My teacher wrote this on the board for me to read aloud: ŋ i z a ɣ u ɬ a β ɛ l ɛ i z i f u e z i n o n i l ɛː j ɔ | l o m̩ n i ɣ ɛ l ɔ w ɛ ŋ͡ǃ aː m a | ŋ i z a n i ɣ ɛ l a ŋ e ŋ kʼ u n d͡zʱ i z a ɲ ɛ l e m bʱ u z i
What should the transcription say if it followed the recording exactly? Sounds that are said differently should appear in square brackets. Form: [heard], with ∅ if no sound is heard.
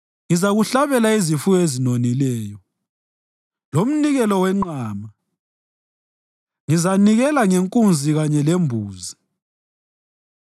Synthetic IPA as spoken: ŋ i z a ɣ u ɬ a β ɛ l [a] i z i f u e z i n o n i l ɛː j ɔ | l o m̩ n i ɣ ɛ l ɔ w ɛ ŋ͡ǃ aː m a | ŋ i z a n i ɣ ɛ l a ŋ e ŋ kʼ u n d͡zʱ i [ɣ] a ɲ ɛ l e m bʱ [uː] z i